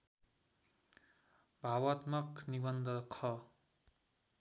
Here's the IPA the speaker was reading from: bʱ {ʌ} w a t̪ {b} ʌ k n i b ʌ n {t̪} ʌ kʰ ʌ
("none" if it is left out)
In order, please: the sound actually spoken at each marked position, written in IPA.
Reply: a, m, d̪

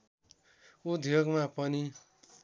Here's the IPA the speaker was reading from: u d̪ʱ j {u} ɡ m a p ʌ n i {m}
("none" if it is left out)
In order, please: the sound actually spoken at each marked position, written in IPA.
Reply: o, none

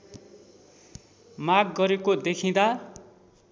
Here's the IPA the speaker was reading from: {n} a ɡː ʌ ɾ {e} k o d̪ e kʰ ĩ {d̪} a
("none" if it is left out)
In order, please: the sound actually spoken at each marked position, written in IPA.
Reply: m, e, d̪

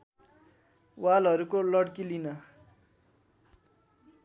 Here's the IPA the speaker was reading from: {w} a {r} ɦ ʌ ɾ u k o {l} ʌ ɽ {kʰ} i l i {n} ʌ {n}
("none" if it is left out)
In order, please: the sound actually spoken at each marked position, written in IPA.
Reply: w, l, l, k, n, none

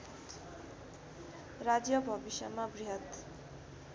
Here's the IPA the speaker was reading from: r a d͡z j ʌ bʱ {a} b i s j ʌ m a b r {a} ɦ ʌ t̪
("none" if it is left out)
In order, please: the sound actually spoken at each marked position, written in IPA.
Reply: ʌ, i

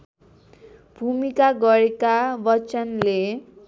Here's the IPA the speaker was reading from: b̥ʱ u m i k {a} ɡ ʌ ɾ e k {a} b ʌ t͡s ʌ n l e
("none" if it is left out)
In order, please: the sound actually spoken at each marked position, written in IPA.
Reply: a, a

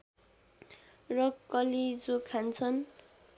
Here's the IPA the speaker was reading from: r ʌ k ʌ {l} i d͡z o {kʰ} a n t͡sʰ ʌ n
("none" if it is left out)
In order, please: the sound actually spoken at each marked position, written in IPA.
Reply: l, kʰ

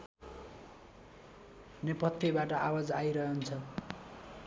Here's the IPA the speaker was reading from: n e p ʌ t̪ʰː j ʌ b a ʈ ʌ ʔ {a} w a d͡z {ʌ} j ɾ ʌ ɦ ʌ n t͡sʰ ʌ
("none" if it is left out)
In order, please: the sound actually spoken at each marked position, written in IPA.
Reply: a, a

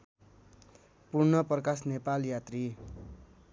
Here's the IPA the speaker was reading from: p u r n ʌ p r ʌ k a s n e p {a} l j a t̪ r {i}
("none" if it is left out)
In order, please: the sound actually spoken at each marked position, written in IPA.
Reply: a, i

